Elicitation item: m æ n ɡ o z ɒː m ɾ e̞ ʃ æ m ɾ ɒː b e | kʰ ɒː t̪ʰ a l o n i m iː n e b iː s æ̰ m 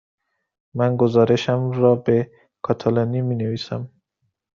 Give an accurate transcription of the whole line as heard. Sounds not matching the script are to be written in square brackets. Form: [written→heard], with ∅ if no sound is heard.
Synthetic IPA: m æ n ɡ o z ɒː [m→∅] ɾ e̞ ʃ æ m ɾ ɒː b e | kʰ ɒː t̪ʰ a l o n i m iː n e [b→v] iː s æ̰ m

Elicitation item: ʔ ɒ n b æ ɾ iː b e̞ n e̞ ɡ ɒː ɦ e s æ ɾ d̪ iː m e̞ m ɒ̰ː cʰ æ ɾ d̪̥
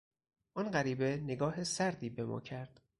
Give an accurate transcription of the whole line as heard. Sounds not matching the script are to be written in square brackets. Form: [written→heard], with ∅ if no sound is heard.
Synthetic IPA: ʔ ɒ n [b→ɢ] æ ɾ iː b e̞ n e̞ ɡ ɒː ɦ e s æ ɾ d̪ iː [m→b] e̞ m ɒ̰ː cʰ æ ɾ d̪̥

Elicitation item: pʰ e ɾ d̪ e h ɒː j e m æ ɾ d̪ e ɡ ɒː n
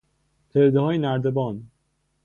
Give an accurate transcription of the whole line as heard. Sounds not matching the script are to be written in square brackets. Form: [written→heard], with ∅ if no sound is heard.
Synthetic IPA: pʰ e ɾ d̪ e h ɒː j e [m→n] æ ɾ d̪ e [ɡ→b] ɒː n

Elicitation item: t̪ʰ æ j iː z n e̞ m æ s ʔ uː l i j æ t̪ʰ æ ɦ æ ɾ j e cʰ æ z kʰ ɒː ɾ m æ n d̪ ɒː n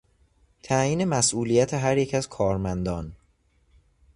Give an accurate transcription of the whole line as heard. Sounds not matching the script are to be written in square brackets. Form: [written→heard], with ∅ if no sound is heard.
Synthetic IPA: t̪ʰ æ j iː [z→∅] n e̞ m æ s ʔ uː l i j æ t̪ʰ [æ→e] ɦ æ ɾ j e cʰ æ z kʰ ɒː ɾ m æ n d̪ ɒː n

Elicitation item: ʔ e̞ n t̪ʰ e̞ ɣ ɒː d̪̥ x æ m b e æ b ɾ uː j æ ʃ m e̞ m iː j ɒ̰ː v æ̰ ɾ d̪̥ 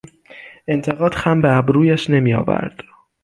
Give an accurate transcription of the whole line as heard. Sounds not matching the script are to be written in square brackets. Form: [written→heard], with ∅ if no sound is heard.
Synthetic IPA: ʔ e̞ n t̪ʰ e̞ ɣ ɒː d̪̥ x æ m b e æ b ɾ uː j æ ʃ [m→n] e̞ m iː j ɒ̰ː v æ̰ ɾ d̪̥

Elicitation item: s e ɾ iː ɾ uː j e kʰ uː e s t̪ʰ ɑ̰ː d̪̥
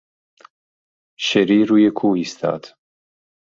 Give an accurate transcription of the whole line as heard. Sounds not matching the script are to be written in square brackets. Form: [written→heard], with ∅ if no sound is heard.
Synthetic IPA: [s→ʃ] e ɾ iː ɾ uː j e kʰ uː [e→i] s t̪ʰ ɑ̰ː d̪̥

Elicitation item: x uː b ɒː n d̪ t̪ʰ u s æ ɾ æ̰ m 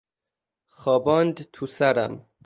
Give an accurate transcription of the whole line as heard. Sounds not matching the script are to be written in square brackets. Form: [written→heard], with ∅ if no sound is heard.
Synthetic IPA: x [uː→ɒː] b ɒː n d̪ t̪ʰ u s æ ɾ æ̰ m

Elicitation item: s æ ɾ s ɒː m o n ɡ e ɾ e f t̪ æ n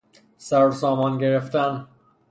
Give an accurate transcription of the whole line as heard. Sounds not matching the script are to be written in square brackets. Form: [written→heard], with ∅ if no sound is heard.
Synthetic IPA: s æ ɾ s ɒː m [o→ɒ] n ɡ e ɾ e f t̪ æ n

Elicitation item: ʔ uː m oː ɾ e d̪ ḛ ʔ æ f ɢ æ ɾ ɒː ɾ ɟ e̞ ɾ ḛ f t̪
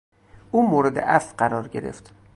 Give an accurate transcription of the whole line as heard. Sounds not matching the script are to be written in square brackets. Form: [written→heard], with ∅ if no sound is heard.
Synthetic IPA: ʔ uː m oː ɾ e d̪ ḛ ʔ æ f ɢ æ ɾ ɒː ɾ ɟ e̞ ɾ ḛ f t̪

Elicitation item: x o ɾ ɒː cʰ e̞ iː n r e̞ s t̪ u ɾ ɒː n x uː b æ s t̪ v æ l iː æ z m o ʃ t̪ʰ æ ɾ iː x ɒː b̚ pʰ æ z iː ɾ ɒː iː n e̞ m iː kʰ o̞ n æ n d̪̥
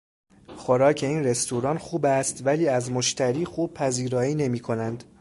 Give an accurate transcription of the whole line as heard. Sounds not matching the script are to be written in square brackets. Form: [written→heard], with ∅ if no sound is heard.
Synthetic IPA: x o ɾ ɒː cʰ e̞ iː n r e̞ s t̪ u ɾ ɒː n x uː b æ s t̪ v æ l iː æ z m o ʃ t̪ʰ æ ɾ iː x [ɒː→uː] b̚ pʰ æ z iː ɾ ɒː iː n e̞ m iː kʰ o̞ n æ n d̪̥

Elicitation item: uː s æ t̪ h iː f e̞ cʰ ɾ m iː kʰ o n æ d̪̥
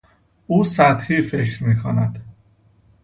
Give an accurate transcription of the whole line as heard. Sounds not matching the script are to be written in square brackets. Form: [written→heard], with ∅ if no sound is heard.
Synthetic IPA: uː s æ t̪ h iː f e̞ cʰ ɾ m iː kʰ o n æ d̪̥

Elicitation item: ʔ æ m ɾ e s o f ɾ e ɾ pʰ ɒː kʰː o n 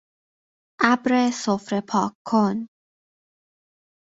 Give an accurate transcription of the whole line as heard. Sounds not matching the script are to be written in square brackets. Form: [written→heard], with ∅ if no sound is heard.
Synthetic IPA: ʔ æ [m→b] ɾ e s o f ɾ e [ɾ→∅] pʰ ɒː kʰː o n

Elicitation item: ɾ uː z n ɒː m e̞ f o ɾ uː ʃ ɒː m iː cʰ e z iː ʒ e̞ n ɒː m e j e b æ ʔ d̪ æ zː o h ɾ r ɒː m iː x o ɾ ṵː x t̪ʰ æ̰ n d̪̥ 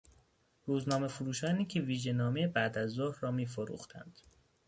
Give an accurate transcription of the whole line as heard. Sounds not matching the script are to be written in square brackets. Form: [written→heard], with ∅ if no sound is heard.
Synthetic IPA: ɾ uː z n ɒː m e̞ f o ɾ uː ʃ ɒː [m→n] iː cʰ e [z→v] iː ʒ e̞ n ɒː m e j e b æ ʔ d̪ æ zː o h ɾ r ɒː m iː [x→f] o ɾ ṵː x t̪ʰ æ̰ n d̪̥

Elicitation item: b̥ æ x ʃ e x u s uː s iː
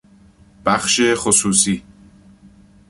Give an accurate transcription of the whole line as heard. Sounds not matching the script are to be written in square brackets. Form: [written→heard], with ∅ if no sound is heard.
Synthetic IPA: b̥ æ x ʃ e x [u→o] s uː s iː

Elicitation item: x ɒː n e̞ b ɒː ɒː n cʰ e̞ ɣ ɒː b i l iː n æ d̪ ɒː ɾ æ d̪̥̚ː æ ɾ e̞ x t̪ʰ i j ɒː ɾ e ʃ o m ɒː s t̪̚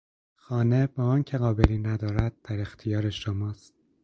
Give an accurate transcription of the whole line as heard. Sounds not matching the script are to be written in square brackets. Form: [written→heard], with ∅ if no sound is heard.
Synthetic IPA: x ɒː n e̞ b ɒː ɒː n cʰ e̞ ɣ ɒː b [i→e] l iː n æ d̪ ɒː ɾ æ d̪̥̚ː æ ɾ e̞ x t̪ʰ i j ɒː ɾ e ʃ o m ɒː s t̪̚

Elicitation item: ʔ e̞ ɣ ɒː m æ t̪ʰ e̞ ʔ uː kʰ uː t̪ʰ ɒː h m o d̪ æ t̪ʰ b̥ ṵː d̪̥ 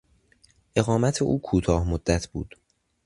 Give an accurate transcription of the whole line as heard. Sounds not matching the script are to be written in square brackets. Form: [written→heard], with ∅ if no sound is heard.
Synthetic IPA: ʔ e̞ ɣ ɒː m æ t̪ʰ e̞ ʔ uː kʰ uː t̪ʰ ɒː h m o [d̪→d̪ː] æ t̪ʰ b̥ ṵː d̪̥

